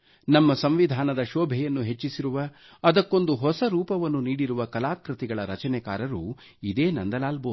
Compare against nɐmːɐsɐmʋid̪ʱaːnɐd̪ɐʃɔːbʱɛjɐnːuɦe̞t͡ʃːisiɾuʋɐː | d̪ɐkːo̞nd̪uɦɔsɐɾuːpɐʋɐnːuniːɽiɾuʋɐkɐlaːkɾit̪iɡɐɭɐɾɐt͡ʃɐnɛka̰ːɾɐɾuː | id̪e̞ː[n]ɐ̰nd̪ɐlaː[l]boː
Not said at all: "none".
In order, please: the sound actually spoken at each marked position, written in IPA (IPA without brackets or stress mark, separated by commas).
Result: n, l